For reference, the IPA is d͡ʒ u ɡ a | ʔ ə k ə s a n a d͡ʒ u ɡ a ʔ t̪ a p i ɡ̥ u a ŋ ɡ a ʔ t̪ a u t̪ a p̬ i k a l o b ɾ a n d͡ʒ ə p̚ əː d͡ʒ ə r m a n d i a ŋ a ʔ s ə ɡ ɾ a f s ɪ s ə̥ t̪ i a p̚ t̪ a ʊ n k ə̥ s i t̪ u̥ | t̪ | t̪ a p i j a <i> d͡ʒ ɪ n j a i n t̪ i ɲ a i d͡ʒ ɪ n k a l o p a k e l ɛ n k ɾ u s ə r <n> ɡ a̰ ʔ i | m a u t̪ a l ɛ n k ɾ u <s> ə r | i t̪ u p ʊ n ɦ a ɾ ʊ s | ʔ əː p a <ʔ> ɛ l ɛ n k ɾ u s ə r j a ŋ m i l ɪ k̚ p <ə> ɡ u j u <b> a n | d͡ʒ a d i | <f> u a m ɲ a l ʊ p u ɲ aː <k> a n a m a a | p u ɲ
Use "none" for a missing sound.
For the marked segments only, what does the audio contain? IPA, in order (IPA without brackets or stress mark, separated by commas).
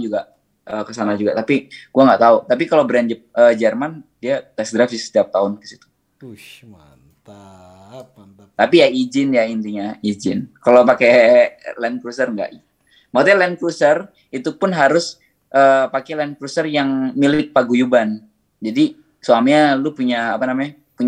i, ŋ, s, k, a, b, s, p